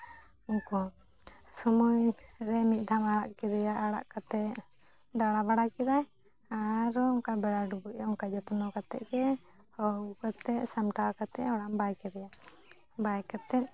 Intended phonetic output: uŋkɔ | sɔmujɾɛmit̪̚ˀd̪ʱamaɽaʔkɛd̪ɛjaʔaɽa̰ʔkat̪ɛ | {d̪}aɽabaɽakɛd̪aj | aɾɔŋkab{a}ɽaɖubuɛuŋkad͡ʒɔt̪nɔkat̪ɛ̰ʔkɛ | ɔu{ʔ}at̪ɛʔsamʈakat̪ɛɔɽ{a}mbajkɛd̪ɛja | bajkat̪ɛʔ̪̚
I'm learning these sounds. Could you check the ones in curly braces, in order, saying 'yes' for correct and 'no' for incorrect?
yes, no, no, yes

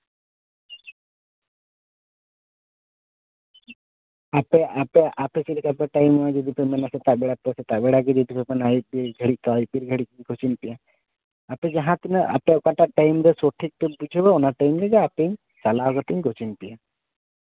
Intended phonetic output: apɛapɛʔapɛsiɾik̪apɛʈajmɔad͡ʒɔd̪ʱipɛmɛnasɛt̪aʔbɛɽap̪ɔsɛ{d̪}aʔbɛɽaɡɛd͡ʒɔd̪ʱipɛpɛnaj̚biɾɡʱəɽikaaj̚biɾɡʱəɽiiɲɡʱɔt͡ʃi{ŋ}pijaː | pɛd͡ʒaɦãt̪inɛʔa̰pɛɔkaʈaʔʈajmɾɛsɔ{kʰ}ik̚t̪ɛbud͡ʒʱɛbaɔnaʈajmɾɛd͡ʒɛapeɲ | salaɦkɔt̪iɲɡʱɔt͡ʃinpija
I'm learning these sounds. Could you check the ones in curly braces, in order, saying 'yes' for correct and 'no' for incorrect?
no, no, no

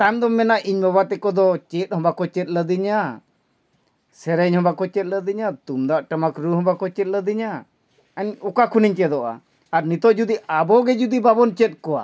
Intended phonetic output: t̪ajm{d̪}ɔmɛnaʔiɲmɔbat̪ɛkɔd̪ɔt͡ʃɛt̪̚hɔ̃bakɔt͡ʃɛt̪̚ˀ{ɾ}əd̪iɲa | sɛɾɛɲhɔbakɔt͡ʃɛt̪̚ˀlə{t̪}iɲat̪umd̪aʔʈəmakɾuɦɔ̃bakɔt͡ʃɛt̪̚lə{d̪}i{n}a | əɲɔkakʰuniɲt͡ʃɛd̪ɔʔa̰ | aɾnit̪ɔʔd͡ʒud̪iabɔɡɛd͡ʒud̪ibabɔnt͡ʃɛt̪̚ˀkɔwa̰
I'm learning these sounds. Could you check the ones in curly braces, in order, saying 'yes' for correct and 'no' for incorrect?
yes, no, no, yes, no

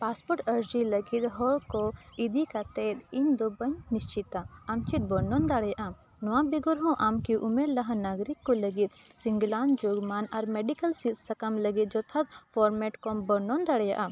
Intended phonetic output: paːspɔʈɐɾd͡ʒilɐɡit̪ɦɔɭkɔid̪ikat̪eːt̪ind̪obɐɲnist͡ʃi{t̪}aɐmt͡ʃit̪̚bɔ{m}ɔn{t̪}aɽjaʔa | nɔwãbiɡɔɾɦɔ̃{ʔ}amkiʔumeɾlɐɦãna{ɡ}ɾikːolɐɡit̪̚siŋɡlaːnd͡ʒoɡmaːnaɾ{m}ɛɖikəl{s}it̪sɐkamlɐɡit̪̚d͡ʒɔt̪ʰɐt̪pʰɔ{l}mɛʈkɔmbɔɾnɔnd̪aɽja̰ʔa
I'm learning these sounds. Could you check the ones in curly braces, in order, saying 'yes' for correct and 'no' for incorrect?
yes, no, no, yes, yes, yes, yes, no

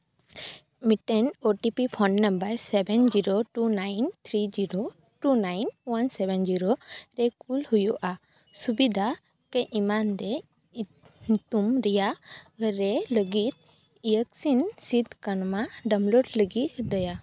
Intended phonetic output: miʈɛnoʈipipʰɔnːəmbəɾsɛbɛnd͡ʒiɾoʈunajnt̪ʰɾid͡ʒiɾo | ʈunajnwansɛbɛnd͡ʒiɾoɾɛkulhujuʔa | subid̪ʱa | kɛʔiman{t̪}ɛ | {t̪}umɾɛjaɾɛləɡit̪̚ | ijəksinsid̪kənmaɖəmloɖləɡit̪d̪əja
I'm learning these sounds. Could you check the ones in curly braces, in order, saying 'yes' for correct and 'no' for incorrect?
no, yes

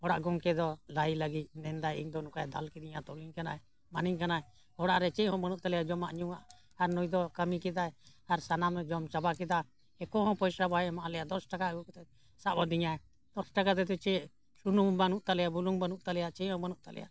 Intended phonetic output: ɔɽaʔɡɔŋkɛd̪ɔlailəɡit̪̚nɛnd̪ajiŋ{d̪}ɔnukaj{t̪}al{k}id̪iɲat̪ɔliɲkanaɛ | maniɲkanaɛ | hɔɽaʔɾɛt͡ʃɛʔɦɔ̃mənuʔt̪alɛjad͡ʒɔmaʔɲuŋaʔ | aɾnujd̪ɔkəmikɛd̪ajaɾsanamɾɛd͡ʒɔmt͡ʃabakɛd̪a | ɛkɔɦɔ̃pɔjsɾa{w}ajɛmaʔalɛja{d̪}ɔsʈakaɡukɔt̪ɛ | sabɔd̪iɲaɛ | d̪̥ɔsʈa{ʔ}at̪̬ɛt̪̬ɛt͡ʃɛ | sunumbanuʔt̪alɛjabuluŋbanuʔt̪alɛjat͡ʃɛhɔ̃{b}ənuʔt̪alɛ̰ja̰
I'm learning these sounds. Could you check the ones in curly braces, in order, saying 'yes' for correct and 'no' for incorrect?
yes, no, yes, no, yes, no, no

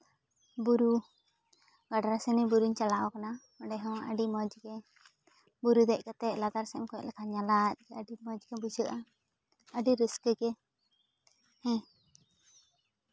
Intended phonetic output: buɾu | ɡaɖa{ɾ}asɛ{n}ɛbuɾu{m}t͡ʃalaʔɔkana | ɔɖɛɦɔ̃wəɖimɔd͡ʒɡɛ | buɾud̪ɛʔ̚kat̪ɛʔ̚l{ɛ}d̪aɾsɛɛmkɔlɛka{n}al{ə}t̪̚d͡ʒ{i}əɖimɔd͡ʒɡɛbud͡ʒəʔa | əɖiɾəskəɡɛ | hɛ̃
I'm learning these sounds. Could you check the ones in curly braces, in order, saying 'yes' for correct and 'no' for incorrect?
yes, yes, no, no, no, no, no

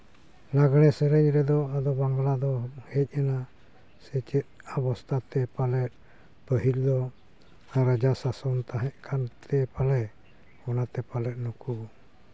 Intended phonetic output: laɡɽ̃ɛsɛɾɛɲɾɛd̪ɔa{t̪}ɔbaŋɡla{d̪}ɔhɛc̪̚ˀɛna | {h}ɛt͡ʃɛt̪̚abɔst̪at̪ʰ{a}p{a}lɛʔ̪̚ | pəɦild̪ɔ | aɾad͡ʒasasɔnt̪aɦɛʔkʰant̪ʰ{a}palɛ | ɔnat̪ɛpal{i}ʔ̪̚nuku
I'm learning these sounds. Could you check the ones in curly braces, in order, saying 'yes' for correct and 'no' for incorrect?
no, yes, no, no, yes, no, no

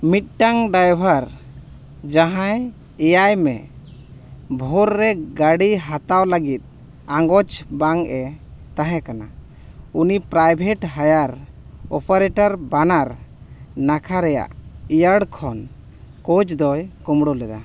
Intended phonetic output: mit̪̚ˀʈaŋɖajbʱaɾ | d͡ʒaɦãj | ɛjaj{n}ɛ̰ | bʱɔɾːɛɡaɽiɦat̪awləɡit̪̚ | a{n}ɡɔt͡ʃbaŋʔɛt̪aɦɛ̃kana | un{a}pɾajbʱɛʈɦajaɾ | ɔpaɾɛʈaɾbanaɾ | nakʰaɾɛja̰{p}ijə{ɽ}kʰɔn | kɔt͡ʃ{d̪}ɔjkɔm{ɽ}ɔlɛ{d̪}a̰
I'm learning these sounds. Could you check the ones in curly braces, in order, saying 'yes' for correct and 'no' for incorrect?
no, no, no, no, yes, yes, yes, yes

